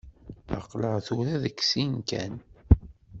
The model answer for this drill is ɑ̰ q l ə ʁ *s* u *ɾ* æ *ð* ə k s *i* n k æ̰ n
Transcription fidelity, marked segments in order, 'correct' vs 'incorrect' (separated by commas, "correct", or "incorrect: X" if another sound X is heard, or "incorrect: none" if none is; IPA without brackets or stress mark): incorrect: θ, correct, correct, correct